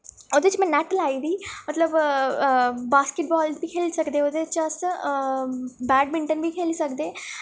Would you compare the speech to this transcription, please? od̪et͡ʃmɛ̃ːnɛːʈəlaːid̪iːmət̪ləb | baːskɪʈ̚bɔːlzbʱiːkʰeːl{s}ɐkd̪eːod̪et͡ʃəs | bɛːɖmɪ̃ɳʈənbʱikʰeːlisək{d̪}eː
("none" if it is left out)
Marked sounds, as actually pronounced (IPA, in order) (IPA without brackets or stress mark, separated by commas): s, d̪